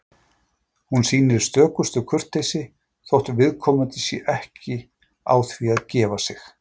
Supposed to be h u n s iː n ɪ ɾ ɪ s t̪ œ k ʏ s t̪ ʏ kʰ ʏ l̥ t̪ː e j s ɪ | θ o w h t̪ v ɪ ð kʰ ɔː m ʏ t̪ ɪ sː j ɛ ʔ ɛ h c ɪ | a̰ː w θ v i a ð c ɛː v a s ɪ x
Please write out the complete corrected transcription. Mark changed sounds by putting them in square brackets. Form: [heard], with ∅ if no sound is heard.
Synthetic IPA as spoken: h u n s iː n ɪ ɾ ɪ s t̪ [œː] k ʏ s t̪ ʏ kʰ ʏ [r̥] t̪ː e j s ɪ | θ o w h t̪ v ɪ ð kʰ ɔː m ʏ t̪ ɪ [s] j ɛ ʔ ɛ h c ɪ | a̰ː w θ v i a ð c ɛː v a s ɪ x